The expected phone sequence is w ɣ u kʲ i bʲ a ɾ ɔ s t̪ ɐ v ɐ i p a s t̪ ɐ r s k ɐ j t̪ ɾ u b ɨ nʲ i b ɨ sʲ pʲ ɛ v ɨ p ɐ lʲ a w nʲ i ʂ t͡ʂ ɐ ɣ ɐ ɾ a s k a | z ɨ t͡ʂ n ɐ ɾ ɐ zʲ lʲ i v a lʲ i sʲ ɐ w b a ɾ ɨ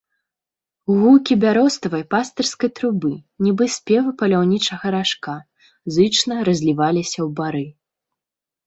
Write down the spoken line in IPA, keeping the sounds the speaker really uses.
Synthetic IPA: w ɣ u kʲ i bʲ a ɾ ɔ s t̪ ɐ v ɐ j p a s t̪ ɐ r s k ɐ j t̪ ɾ u b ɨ nʲ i b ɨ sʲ pʲ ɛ v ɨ p ɐ lʲ a w nʲ i t͡ʂ ɐ ɣ ɐ ɾ a ʂ k a | z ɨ t͡ʂ n ɐ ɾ ɐ zʲ lʲ i v a lʲ i sʲ ɐ w b a ɾ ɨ

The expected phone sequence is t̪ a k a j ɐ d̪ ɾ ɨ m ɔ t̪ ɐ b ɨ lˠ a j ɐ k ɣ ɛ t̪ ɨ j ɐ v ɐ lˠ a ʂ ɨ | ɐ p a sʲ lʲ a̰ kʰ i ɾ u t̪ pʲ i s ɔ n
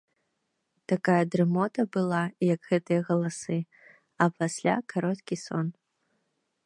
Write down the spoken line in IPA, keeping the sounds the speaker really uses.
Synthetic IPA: t̪ a k a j ɐ d̪ ɾ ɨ m ɔ t̪ ɐ b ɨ lˠ a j ɐ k ɣ ɛ t̪ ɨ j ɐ ɣ ɐ lˠ a s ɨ | ɐ p a sʲ lʲ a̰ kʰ a ɾ ɔ t̪ kʲ i s ɔ n

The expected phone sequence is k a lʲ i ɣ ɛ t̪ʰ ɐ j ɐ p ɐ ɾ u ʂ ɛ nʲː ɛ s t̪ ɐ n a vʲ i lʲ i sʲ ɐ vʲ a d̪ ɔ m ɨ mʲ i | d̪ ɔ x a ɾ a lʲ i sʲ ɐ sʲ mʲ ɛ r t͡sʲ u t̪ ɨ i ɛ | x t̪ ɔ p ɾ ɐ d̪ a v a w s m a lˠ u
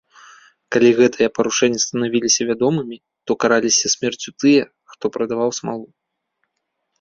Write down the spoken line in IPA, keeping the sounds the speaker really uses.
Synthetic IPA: k a lʲ i ɣ ɛ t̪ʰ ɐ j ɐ p ɐ ɾ u ʂ ɛ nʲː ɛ s t̪ ɐ n a vʲ i lʲ i sʲ ɐ vʲ a d̪ ɔ m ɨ mʲ i | t̪ ɔ k a ɾ a lʲ i sʲ ɐ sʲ mʲ ɛ r t͡sʲ u t̪ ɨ j ɛ | x t̪ ɔ p ɾ ɐ d̪ a v a w s m a lˠ u

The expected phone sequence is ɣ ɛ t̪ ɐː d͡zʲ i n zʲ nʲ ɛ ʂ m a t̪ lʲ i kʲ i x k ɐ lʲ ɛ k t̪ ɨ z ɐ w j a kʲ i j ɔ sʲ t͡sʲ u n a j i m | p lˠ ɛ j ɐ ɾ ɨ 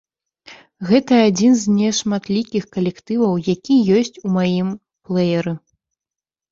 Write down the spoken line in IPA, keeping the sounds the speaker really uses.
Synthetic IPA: ɣ ɛ t̪ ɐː d͡zʲ i n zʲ nʲ ɛ ʂ m a t̪ lʲ i kʲ i x k ɐ lʲ ɛ k t̪ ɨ v ɐ w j a kʲ i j ɔ sʲ t͡sʲ u m a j i m | p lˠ ɛ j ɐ ɾ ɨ

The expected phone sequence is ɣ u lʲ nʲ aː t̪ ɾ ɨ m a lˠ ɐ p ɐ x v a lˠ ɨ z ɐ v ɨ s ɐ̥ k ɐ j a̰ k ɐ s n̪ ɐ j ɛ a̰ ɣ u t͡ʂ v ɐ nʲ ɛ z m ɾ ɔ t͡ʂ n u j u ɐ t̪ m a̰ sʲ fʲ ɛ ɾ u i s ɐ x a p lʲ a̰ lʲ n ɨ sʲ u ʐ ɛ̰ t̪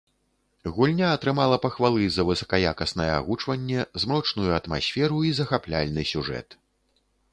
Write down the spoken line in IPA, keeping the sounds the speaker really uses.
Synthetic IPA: ɣ u lʲ nʲ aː t̪ ɾ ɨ m a lˠ ɐ p ɐ x v a lˠ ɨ z ɐ v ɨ s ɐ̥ k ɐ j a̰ k ɐ s n̪ ɐ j ɛ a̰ ɣ u t͡ʂ v ɐ nʲː ɛ z m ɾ ɔ t͡ʂ n u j u ɐ t̪ m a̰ sʲ fʲ ɛ ɾ u i z ɐ x a p lʲ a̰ lʲ n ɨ sʲ u ʐ ɛ̰ t̪

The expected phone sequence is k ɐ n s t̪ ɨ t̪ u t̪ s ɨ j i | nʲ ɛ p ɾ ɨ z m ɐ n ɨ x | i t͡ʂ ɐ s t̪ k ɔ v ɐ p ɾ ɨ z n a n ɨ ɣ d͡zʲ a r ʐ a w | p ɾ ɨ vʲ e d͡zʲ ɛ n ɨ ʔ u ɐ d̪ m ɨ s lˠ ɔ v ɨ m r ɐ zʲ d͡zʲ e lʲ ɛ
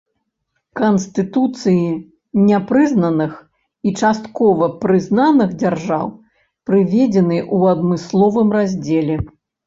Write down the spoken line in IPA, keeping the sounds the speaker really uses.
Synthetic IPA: k ɐ n s t̪ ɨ t̪ u t̪ s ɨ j i | nʲ ɛ p ɾ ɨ z n ɐ n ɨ x | i t͡ʂ a s t̪ k ɔ v ɐ p ɾ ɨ z n a n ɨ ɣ d͡zʲ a r ʐ a w | p ɾ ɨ vʲ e d͡zʲ ɛ n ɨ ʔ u ɐ d̪ m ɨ s lˠ ɔ v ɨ m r a zʲ d͡zʲ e lʲ ɛ

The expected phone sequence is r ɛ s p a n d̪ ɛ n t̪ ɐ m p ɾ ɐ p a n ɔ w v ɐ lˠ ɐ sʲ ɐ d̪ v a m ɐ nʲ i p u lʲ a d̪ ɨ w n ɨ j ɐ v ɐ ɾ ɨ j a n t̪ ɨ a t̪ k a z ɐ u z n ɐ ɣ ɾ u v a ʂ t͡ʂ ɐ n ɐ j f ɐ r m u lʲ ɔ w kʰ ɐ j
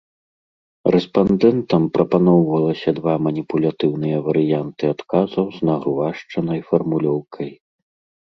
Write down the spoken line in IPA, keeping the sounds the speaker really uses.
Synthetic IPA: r ɛ s p a n d̪ ɛ n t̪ ɐ m p ɾ ɐ p a n ɔ w v ɐ lˠ ɐ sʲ ɐ d̪ v a m ɐ nʲ i p u lʲ a t̪ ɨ w n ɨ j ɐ v ɐ ɾ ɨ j a n t̪ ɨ a t̪ k a z ɐ w z n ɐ ɣ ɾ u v a ʂ t͡ʂ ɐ n ɐ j f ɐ r m u lʲ ɔ w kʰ ɐ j

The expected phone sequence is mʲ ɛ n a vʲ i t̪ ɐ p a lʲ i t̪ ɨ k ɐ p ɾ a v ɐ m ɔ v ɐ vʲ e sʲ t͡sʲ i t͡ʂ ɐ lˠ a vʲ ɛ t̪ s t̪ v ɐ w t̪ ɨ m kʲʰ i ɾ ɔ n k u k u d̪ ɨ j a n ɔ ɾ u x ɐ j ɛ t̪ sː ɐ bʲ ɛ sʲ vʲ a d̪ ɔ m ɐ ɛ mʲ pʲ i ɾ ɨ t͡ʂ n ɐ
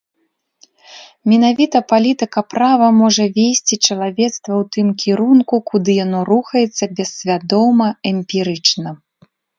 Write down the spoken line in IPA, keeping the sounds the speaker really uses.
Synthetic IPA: mʲ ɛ n a vʲ i t̪ ɐ p a lʲ i t̪ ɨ k ɐ p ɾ a v ɐ m ɔ ʐ ɐ vʲ e sʲ t͡sʲ i t͡ʂ ɐ lˠ a vʲ ɛ t̪ s t̪ v ɐ w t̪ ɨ m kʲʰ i ɾ u n k u k u d̪ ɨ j a n ɔ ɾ u x ɐ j ɛ t̪ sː ɐ bʲ ɛ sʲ vʲ a d̪ ɔ m ɐ ɛ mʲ pʲ i ɾ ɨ t͡ʂ n ɐ

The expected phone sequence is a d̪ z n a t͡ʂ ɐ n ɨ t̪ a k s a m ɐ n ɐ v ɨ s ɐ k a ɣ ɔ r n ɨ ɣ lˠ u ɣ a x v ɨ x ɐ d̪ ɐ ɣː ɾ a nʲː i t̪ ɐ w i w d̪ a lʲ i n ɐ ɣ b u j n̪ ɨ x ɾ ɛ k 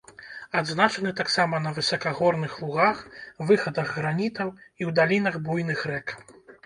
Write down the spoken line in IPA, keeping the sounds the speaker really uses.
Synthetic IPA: a d̪ z n a t͡ʂ ɐ n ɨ t̪ a k s a m ɐ n ɐ v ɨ s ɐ k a ɣ ɔ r n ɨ x lˠ u ɣ a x v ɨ x ɐ d̪ ɐ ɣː ɾ a nʲ i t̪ ɐ w i w d̪ a lʲ i n ɐ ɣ b u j n̪ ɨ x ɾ ɛ k

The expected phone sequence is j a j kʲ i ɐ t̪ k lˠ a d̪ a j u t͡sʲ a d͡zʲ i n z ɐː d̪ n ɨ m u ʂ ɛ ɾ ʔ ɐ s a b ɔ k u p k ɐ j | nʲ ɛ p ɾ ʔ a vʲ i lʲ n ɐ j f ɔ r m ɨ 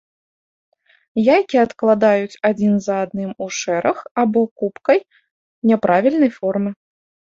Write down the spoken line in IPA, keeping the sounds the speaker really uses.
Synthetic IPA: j a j kʲ i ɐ t̪ k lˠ a d̪ a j u t͡sʲ a d͡zʲ i n z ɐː d̪ n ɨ m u ʂ ɛ ɾ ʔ ɐ x a b ɔ k u p k ɐ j | nʲ ɛ p ɾ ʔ a vʲ i lʲ n ɐ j f ɔ r m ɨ

